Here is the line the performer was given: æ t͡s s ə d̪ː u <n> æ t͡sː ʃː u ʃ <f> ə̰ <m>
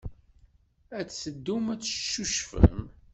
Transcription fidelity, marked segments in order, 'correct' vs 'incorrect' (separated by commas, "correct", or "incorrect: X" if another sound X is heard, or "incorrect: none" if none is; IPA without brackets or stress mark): incorrect: m, correct, correct